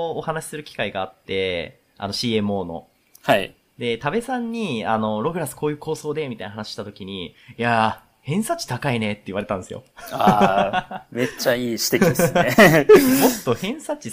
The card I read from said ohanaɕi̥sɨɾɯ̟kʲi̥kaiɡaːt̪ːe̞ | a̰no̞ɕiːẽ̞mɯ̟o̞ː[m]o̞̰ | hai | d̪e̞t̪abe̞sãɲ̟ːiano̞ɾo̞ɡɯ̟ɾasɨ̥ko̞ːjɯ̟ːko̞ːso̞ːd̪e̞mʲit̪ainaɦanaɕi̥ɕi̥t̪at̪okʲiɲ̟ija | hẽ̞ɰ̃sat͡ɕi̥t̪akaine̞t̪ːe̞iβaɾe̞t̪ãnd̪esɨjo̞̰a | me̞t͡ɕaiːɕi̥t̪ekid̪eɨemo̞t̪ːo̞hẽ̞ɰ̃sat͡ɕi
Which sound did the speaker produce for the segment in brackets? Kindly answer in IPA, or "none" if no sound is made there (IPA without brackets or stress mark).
n